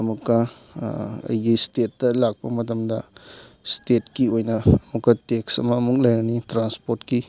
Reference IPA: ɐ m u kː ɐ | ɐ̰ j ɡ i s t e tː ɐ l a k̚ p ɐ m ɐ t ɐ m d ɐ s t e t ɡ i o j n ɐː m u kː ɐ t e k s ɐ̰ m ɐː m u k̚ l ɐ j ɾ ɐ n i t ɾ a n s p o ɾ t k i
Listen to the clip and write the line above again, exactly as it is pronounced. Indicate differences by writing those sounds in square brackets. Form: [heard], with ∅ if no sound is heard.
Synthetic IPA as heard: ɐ m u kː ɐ | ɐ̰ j ɡ i s t e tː ɐ l a k̚ p ɐ m ɐ t ɐ m d ɐ s t e t [k] i o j n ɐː m u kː ɐ t e k s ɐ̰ m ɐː m u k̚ l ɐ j ɾ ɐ n i t ɾ a n s p o ɾ t k i